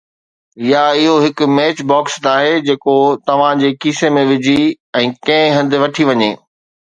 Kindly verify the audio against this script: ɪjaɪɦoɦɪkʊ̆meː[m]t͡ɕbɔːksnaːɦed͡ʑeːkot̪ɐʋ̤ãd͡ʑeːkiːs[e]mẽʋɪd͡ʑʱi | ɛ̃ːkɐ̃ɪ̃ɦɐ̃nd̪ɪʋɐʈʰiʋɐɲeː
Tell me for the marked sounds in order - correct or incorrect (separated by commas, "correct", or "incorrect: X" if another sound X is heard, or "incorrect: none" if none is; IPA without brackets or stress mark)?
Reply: incorrect: none, correct